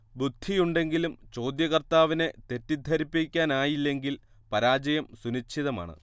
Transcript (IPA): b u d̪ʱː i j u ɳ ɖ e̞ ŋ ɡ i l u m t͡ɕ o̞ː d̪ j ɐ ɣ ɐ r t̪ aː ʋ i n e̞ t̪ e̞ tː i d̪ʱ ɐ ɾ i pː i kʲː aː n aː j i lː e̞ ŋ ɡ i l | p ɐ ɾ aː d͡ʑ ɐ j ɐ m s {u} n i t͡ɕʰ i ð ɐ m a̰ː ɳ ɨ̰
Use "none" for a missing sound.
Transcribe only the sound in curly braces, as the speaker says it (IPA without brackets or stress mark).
u